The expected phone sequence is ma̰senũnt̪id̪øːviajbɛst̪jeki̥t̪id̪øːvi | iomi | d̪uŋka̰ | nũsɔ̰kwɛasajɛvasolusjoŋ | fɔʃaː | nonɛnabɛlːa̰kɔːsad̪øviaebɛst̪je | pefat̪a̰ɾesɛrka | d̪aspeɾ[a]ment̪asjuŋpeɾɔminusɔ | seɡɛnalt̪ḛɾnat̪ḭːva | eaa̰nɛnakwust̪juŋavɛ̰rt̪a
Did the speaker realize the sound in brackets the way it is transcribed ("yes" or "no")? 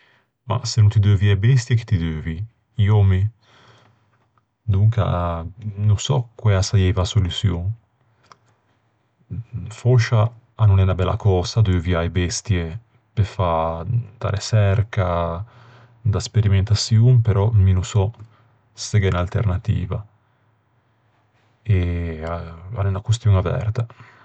no